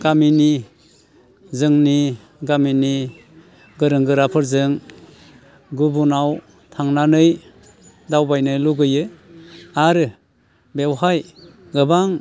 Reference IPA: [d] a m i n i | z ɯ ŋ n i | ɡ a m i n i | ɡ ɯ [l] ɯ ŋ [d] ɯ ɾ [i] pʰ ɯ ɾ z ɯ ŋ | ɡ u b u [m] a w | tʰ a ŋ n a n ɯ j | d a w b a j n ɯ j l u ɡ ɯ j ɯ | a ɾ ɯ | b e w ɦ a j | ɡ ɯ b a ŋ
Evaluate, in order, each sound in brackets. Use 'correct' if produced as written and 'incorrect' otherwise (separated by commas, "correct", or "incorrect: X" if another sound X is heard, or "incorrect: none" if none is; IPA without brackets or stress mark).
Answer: incorrect: ɡ, incorrect: ɾ, incorrect: ɡ, incorrect: a, incorrect: n